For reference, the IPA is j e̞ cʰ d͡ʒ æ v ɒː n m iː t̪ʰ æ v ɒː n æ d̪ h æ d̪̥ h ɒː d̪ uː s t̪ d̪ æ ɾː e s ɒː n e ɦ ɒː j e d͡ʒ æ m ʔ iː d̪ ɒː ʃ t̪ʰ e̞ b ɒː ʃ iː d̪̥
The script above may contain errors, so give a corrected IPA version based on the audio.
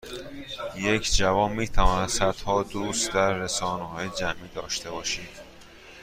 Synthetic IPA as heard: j e̞ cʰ d͡ʒ æ v ɒː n m iː t̪ʰ æ v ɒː n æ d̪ s æ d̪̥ h ɒː d̪ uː s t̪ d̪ æ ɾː e s ɒː n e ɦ ɒː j e d͡ʒ æ m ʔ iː d̪ ɒː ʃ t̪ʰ e̞ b ɒː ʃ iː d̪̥

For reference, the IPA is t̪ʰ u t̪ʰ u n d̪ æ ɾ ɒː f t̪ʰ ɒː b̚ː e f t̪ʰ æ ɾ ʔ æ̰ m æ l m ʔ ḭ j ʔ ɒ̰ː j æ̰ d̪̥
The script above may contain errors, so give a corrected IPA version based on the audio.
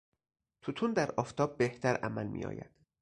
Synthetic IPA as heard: t̪ʰ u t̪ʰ u n d̪ æ ɾ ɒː f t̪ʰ ɒː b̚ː e h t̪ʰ æ ɾ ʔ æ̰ m æ l m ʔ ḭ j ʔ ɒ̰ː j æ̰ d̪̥

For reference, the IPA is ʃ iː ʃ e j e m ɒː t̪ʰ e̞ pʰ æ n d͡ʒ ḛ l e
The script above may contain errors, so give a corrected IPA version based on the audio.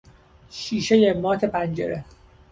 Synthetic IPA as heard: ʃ iː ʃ e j e m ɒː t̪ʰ e̞ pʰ æ n d͡ʒ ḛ ɾ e

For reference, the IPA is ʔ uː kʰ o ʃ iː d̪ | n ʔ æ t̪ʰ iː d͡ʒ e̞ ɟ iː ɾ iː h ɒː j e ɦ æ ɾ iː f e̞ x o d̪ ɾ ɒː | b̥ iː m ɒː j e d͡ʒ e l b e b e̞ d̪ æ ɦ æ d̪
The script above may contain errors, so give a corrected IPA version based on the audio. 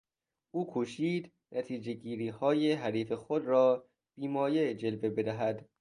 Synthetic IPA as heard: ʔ uː kʰ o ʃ iː d̪ | n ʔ æ t̪ʰ iː d͡ʒ e̞ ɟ iː ɾ iː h ɒː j e ɦ æ ɾ iː f e̞ x o d̪ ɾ ɒː | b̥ iː m ɒː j e d͡ʒ e l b e b e̞ d̪ æ ɦ æ d̪

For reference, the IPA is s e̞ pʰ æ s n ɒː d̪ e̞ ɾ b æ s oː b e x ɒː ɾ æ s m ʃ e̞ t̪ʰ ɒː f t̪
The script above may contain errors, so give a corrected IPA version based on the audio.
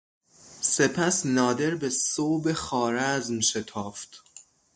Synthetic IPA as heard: s e̞ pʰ æ s n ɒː d̪ e̞ ɾ b e s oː b e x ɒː ɾ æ z m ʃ e̞ t̪ʰ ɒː f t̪

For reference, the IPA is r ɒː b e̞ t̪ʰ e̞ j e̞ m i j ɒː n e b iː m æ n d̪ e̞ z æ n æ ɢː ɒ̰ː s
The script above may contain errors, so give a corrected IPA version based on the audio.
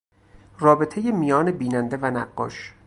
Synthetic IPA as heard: r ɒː b e̞ t̪ʰ e̞ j e̞ m i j ɒː n e b iː n æ n d̪ e̞ v æ n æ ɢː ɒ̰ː ʃ

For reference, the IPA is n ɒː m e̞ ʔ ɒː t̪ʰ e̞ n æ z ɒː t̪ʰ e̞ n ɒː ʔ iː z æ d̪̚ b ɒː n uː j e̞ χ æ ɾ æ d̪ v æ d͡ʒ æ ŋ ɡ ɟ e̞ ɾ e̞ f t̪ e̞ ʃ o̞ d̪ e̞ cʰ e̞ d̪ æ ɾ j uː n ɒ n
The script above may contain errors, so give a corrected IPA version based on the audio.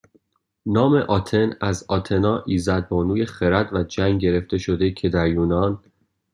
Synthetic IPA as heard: n ɒː m e̞ ʔ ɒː t̪ʰ e̞ n æ z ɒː t̪ʰ e̞ n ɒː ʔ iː z æ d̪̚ b ɒː n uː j e̞ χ e ɾ æ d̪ v æ d͡ʒ æ ŋ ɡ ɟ e̞ ɾ e̞ f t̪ e̞ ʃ o̞ d̪ e̞ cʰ e̞ d̪ æ ɾ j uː n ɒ n

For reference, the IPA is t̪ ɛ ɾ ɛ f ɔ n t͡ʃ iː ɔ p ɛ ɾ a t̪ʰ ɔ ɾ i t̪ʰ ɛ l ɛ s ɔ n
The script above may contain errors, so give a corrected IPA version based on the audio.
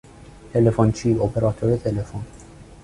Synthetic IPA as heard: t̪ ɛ l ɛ f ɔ n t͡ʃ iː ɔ p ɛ ɾ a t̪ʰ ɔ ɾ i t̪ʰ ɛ l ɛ f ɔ n

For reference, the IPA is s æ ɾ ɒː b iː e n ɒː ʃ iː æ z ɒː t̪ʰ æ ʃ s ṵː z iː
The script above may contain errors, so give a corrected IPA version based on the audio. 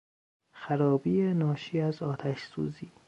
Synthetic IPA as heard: x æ ɾ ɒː b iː e n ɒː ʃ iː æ z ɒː t̪ʰ æ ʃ s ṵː z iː

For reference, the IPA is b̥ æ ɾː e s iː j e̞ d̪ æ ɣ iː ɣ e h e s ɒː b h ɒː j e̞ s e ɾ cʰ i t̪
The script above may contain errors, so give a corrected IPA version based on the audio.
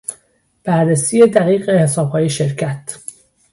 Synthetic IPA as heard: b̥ æ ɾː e s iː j e̞ d̪ æ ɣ iː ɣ e h e s ɒː b h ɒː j e̞ ʃ e ɾ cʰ æ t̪

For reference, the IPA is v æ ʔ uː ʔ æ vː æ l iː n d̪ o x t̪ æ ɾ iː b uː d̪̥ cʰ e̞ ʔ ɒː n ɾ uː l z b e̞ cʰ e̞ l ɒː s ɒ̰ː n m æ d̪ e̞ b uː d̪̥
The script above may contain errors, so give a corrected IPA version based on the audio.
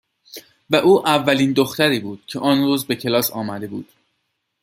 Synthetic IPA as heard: v æ ʔ uː ʔ æ vː æ l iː n d̪ o x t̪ æ ɾ iː b uː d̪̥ cʰ e̞ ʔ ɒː n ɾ uː z b e̞ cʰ e̞ l ɒː s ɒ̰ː m æ d̪ e̞ b uː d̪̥

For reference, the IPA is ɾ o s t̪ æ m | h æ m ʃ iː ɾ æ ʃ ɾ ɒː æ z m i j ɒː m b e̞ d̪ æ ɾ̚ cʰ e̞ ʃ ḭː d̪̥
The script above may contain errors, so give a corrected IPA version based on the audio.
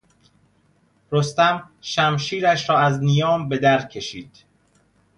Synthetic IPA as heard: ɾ o s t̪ æ m | ʃ æ m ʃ iː ɾ æ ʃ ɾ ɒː æ z n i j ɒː m b e̞ d̪ æ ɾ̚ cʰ e̞ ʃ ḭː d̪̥

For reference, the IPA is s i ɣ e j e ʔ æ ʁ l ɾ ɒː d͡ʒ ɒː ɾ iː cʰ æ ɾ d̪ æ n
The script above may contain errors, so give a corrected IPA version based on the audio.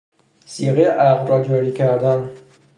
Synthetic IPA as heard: s i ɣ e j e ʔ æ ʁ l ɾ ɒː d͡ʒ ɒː ɾ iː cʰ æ ɾ d̪ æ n

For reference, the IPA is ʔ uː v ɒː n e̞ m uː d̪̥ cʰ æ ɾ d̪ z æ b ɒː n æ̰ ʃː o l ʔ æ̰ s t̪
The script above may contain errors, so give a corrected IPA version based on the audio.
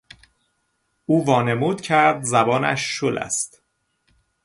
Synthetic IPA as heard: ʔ uː v ɒː n e̞ m uː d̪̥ cʰ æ ɾ d̪ z æ b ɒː n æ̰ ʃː o l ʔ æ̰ s t̪

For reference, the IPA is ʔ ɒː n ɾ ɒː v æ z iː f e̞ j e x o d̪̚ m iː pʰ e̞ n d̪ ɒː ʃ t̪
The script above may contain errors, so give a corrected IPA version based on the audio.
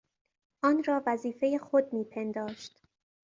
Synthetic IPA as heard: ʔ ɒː n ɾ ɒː v æ z iː f e̞ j e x o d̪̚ m iː pʰ e̞ n d̪ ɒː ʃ t̪

